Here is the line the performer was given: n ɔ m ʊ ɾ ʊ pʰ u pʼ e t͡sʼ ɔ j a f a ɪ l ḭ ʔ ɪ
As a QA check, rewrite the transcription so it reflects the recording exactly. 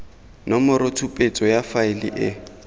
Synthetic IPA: n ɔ m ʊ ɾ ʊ tʰ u pʼ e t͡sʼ ɔ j a f a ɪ l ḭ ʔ ɪ

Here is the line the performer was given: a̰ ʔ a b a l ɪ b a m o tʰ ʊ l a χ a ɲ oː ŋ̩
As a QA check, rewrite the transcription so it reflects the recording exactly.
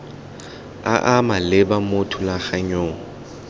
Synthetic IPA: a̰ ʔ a m a l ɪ b a m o tʰ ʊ l a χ a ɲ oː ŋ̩

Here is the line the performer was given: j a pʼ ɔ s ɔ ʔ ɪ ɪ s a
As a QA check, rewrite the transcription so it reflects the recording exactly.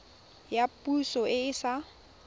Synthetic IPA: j a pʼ u s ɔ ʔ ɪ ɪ s a

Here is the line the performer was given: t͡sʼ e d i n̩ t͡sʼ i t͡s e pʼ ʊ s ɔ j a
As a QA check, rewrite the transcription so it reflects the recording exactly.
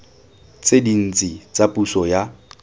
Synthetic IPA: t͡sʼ e d i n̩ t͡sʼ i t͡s a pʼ u s ɔ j a

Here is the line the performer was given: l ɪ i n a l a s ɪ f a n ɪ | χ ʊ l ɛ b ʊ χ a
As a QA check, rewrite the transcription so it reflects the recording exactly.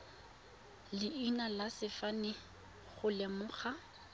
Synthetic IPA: l ɪ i n a l a s ɪ f a n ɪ | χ ʊ l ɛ m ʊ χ a

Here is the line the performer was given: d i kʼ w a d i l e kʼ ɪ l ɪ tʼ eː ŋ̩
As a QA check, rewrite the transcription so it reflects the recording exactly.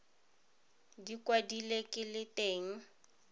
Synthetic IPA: d i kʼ w a d i l e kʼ ɪ l ɪ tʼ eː ŋ̩

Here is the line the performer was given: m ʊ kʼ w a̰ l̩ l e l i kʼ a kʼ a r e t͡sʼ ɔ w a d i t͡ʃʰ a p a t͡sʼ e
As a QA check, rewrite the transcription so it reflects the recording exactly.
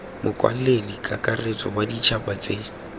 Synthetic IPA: m ʊ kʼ w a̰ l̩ l e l i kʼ a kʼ a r e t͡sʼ ɔ w a d i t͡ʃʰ a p a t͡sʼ e

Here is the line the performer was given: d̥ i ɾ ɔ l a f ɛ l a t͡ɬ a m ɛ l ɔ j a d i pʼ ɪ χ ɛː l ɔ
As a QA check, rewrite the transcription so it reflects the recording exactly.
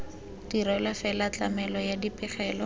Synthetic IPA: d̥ i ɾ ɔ l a f ɛ l a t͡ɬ a m ɛ l ɔ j a d i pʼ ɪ χ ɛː l ɔ

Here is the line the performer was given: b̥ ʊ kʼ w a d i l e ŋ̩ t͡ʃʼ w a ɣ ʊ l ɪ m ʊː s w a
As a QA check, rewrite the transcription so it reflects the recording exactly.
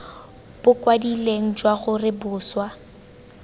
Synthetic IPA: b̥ ʊ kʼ w a d i l e ŋ̩ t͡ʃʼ w a ɣ ʊ r ɪ b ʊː s w a

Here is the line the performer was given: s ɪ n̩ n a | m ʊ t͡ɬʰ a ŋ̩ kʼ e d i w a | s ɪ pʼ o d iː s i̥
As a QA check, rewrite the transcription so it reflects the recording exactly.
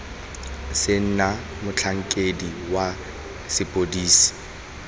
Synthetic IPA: s ɪ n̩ n a | m ʊ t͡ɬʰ a ŋ̩ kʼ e d i w a | s ɪ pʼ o d iː s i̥

